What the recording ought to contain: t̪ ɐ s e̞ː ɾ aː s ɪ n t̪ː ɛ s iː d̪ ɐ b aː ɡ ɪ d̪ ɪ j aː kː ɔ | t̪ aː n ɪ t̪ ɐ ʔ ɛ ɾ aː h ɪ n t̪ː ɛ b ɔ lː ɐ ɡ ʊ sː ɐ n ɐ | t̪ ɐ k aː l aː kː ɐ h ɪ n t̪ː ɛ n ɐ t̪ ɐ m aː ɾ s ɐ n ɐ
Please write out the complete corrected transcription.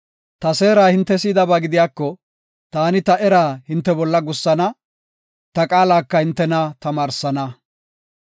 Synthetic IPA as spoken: t̪ ɐ s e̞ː ɾ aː h ɪ n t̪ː ɛ s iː d̪ ɐ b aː ɡ ɪ d̪ ɪ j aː kː ɔ | t̪ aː n ɪ t̪ ɐ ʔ ɛ ɾ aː h ɪ n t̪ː ɛ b ɔ lː ɐ ɡ ʊ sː ɐ n ɐ | t̪ ɐ kʼ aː l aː kː ɐ h ɪ n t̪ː ɛ n ɐ t̪ ɐ m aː ɾ s ɐ n ɐ